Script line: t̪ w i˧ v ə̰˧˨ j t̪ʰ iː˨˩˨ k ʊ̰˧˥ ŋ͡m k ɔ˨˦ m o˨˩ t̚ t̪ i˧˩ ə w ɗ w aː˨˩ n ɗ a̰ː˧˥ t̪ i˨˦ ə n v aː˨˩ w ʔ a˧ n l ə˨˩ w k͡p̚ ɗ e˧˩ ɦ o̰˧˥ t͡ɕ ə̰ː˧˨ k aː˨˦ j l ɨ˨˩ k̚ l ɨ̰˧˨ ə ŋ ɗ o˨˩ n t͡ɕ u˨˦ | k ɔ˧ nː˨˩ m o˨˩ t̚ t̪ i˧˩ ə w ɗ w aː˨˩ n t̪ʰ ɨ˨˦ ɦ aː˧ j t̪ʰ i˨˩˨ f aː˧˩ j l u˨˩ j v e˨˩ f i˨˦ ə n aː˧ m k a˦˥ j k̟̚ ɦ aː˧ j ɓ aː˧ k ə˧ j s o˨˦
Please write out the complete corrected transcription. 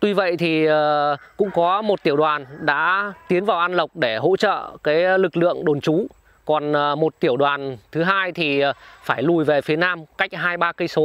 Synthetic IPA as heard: t̪ w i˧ v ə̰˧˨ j t̪ʰ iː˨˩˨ k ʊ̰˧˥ ŋ͡m k ɔ˨˦ m o˨˩ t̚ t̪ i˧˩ ə w ɗ w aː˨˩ n ɗ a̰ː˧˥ t̪ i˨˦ ə n v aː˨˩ w ʔ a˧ n l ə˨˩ w k͡p̚ ɗ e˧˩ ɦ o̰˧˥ t͡ɕ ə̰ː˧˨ k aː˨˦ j l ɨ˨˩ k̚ l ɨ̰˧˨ ə ŋ ɗ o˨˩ n t͡ɕ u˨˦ | k ɔ˨˩ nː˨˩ m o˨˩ t̚ t̪ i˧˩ ə w ɗ w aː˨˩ n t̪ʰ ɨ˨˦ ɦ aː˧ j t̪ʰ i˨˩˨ f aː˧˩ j l u˨˩ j v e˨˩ f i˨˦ ə n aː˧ m k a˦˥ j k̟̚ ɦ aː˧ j ɓ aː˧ k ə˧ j s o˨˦